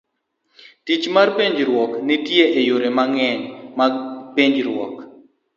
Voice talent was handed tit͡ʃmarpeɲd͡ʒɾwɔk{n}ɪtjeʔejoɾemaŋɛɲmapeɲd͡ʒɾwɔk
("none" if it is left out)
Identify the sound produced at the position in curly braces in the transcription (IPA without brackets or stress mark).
n